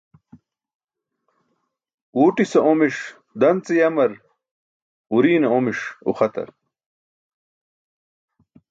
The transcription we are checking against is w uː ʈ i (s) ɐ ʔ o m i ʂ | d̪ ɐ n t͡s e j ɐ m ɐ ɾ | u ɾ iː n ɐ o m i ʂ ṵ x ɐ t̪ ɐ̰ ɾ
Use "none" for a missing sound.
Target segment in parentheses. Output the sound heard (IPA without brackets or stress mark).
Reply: s